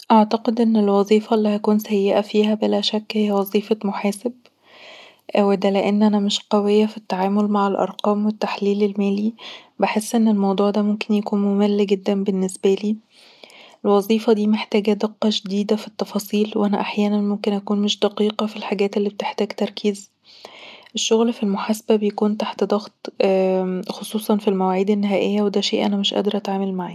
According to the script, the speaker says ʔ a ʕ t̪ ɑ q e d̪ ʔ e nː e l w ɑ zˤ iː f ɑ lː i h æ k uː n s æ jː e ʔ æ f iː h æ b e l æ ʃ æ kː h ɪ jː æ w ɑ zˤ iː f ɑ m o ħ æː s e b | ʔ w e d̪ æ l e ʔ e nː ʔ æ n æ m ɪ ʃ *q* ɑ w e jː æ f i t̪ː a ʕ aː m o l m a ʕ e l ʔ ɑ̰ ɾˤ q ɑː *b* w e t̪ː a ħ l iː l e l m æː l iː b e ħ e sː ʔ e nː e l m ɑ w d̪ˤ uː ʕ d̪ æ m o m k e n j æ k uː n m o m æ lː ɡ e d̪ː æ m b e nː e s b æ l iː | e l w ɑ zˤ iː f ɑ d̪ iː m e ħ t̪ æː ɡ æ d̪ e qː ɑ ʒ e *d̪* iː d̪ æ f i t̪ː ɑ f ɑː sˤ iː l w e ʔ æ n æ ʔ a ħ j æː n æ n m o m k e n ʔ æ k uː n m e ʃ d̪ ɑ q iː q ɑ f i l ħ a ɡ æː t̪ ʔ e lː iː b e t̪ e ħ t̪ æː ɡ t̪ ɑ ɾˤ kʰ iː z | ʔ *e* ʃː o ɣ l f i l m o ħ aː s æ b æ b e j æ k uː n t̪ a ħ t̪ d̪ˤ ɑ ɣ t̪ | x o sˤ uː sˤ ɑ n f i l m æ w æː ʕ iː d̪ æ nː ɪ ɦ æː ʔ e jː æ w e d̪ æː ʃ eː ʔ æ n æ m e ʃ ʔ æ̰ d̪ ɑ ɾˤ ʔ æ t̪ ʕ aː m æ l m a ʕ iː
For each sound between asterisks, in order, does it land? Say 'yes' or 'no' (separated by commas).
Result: yes, no, yes, yes